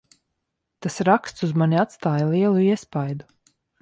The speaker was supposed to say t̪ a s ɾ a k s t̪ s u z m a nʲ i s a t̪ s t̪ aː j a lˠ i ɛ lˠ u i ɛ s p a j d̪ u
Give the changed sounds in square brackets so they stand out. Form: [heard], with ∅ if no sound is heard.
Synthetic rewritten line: t̪ a s ɾ a k s t̪ s u z m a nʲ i [∅] a t̪ s t̪ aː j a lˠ i ɛ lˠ u i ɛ s p a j d̪ u